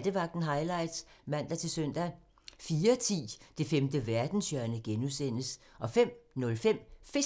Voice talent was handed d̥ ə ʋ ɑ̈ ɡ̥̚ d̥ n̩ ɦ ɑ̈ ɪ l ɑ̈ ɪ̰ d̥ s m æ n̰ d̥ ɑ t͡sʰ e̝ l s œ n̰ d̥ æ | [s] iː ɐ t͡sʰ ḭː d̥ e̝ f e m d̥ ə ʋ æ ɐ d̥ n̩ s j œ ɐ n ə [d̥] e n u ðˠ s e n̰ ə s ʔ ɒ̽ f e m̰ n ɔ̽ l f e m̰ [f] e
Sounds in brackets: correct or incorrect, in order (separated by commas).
incorrect, incorrect, correct